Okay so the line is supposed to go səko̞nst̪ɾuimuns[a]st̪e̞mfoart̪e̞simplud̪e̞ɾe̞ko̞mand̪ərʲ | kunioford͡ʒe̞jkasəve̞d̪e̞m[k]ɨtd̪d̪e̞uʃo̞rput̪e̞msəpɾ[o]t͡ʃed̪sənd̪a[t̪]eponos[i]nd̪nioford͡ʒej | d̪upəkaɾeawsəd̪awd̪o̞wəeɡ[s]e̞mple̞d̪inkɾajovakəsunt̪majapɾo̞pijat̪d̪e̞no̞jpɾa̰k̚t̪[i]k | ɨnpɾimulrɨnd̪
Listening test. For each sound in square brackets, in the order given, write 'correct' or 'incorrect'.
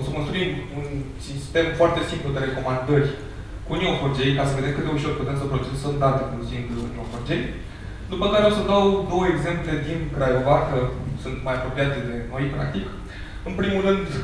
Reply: incorrect, correct, correct, correct, correct, incorrect, correct

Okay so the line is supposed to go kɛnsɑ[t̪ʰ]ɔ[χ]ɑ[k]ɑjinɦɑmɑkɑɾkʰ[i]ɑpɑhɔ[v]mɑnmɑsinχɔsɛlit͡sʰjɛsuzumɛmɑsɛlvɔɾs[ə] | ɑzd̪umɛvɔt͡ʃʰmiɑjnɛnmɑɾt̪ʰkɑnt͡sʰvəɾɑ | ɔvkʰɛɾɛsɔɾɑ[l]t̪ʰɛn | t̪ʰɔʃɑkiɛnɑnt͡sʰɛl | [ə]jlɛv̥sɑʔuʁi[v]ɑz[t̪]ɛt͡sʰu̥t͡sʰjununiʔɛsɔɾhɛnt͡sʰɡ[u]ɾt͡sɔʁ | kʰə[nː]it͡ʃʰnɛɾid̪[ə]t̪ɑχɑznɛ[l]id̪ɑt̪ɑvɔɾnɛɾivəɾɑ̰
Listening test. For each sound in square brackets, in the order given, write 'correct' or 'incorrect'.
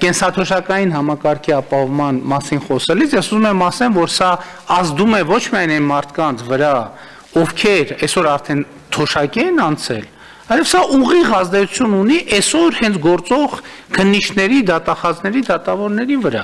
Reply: correct, incorrect, correct, correct, correct, incorrect, incorrect, incorrect, incorrect, incorrect, incorrect, correct, incorrect, incorrect

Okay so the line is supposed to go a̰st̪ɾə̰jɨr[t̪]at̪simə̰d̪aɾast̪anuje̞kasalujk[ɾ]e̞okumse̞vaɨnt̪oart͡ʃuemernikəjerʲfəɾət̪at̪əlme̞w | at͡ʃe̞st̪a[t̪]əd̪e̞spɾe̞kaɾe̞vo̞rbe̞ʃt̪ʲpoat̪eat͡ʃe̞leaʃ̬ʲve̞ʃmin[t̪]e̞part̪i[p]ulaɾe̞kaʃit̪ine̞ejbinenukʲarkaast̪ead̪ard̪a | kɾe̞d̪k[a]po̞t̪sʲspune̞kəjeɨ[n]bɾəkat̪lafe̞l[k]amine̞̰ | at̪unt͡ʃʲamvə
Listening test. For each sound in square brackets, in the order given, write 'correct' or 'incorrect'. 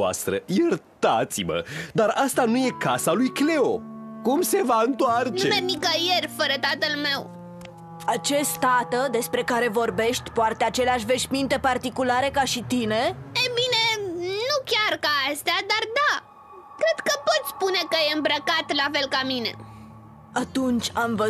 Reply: correct, incorrect, correct, correct, incorrect, incorrect, incorrect, correct

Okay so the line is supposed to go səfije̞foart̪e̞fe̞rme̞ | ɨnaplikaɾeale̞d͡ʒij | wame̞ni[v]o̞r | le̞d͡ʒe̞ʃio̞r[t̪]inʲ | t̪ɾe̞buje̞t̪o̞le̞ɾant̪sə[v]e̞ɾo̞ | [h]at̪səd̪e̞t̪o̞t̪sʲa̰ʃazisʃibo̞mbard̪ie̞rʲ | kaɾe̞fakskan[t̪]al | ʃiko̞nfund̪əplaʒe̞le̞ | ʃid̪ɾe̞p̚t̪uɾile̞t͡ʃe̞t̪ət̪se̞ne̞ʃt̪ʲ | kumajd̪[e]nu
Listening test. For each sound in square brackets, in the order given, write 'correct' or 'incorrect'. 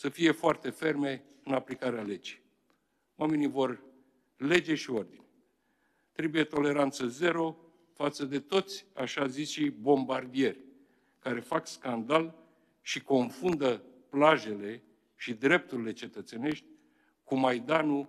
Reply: correct, incorrect, incorrect, incorrect, incorrect, incorrect

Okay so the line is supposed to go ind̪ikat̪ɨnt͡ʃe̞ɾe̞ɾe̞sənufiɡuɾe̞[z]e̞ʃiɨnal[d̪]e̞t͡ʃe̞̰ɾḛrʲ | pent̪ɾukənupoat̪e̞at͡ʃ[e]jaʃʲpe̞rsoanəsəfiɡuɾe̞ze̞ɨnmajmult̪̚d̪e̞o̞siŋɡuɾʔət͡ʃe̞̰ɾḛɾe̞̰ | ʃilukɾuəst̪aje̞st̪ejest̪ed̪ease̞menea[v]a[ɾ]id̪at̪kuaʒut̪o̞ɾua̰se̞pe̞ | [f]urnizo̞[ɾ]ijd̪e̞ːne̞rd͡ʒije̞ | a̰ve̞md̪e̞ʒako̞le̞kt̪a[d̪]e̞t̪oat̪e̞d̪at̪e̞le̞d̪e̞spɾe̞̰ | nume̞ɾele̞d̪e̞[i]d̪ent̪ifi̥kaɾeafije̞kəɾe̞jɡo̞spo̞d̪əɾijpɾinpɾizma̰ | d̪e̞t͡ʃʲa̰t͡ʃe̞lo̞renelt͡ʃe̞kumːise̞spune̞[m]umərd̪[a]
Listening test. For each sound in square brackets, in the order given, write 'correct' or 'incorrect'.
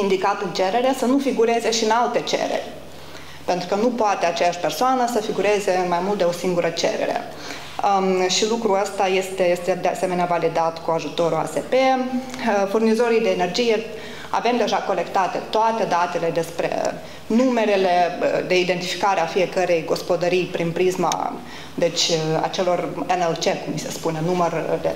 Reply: correct, incorrect, correct, correct, incorrect, correct, correct, incorrect, correct, incorrect, incorrect

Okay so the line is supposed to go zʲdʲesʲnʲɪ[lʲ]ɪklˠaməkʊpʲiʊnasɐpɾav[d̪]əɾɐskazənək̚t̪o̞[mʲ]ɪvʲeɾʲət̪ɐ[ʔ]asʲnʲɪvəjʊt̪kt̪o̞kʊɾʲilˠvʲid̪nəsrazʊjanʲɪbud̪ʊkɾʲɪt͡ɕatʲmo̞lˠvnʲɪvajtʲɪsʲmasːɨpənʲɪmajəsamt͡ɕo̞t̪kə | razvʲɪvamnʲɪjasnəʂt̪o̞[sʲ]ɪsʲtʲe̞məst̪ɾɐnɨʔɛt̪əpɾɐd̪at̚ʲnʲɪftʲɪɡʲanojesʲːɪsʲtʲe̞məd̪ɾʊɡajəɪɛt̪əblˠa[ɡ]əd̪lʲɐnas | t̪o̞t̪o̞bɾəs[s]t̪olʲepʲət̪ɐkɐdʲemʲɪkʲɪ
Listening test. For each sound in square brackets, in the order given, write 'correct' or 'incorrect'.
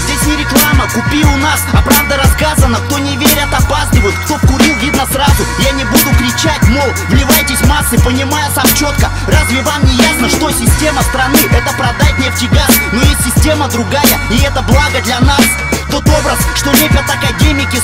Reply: incorrect, correct, incorrect, incorrect, correct, correct, incorrect

